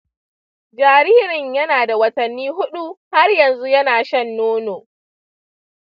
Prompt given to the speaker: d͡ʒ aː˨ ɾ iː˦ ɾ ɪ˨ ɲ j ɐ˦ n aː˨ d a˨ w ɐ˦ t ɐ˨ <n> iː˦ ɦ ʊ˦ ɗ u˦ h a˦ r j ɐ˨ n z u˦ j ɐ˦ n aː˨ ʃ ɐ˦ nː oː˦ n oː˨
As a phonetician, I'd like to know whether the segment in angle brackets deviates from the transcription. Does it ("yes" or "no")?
yes